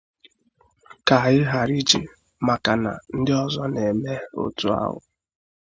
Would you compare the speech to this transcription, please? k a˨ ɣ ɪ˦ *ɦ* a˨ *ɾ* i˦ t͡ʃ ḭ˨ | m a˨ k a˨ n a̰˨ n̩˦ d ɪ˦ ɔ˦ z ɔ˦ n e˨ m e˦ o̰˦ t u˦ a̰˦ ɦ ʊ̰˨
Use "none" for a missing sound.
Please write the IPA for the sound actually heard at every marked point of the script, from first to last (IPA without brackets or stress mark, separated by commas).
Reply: ɦ, ɾ